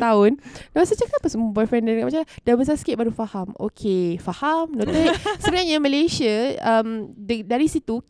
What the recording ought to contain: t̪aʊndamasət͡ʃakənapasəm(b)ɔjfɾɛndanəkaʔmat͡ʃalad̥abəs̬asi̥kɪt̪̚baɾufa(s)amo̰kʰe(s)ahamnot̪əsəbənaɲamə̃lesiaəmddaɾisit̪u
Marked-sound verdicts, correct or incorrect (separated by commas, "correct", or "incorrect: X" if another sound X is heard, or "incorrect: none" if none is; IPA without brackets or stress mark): correct, incorrect: h, incorrect: f